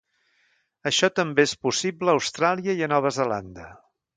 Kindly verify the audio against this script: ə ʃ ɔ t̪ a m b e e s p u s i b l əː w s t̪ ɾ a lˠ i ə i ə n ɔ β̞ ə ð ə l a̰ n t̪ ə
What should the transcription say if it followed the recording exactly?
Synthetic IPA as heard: ə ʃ ɔ t̪ ə m b e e s p u s i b l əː w s t̪ ɾ a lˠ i ə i ə n ɔ β̞ ə z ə l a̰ n d̪ ə